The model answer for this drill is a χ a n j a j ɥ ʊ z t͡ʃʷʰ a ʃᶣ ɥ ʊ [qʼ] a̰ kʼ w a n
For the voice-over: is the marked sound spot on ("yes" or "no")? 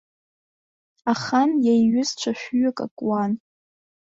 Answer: no